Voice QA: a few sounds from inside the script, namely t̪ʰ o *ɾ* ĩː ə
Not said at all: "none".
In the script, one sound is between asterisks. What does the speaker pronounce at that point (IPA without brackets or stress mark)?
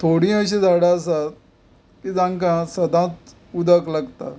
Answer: ɽ